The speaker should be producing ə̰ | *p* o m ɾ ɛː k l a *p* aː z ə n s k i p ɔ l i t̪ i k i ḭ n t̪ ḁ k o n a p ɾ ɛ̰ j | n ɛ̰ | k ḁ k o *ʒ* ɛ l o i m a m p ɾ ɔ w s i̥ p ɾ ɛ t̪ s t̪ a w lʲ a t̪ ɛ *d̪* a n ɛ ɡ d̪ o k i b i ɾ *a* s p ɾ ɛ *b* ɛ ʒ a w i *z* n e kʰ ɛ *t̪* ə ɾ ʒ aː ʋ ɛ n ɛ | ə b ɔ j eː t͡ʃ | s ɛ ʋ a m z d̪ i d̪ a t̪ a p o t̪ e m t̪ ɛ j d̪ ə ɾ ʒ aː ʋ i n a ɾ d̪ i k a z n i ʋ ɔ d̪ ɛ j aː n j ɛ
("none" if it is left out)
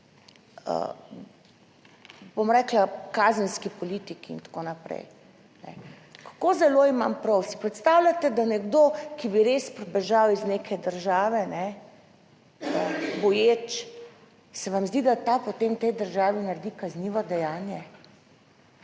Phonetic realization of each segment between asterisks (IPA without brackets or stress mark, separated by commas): b, k, z, d̪, e, b, z, d̪